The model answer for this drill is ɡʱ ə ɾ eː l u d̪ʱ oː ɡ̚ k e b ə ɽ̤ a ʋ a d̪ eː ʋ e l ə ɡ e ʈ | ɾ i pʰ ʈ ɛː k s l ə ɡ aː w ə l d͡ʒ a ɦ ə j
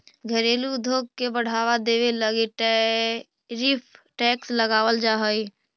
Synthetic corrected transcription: ɡʱ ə ɾ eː l u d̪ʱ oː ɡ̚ k e b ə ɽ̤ a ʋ a d̪ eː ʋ e l ə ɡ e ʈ | ɾ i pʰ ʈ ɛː k s l ə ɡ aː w ə l d͡ʒ a ɦ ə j